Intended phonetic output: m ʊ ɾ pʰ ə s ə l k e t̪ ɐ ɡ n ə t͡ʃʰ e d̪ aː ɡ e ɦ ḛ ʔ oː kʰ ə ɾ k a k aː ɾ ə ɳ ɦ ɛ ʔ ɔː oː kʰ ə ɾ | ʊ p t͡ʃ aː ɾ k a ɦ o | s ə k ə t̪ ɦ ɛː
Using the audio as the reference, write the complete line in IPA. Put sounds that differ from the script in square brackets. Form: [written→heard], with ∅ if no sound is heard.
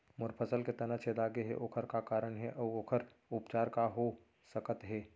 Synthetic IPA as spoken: m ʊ ɾ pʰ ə s ə l k e t̪ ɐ [ɡ→∅] n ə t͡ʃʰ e d̪ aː ɡ e ɦ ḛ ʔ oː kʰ ə ɾ k a k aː ɾ ə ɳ ɦ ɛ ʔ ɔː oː kʰ ə ɾ | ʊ p t͡ʃ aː ɾ k a ɦ o | s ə k ə t̪ ɦ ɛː